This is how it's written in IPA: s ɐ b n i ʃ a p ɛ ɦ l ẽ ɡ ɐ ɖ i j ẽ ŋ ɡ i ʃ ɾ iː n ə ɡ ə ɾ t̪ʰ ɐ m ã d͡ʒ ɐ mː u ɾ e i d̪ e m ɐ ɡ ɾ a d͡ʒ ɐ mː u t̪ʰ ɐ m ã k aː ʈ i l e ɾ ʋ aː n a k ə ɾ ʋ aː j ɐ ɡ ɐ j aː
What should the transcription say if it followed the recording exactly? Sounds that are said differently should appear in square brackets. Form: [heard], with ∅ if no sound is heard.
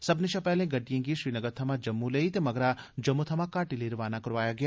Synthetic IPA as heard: s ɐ b n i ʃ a p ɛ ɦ l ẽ ɡ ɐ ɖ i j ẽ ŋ ɡ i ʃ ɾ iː n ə ɡ ə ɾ t̪ʰ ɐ m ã d͡ʒ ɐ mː u [l] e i [t̪] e m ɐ ɡ ɾ a d͡ʒ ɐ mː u t̪ʰ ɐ m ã k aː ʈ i l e ɾ ʋ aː n a k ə ɾ ʋ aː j [a] ɡ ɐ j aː